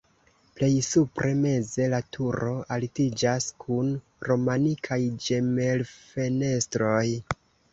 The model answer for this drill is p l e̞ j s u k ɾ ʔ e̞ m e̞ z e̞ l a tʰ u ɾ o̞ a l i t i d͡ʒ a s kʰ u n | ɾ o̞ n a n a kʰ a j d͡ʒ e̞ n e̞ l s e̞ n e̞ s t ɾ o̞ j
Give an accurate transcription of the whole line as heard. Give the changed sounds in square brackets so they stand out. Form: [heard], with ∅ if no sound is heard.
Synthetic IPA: p l e̞ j s u [p] ɾ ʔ e̞ m e̞ z e̞ l a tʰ u ɾ o̞ a l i t i d͡ʒ a s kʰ u n | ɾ o̞ [m] a n [i] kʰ a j d͡ʒ e̞ [m] e̞ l [f] e̞ n e̞ s t ɾ o̞ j

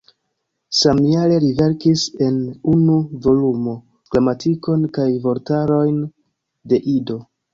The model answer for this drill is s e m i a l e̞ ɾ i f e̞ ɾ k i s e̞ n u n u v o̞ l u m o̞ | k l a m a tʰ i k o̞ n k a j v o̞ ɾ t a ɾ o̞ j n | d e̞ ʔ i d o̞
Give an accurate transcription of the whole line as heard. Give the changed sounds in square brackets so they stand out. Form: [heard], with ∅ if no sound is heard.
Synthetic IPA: s [a] m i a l e̞ ɾ i [v] e̞ ɾ k i s e̞ n u n u v o̞ l u m o̞ | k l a m a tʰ i k o̞ n k a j v o̞ ɾ t a ɾ o̞ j n | d e̞ ʔ i d o̞

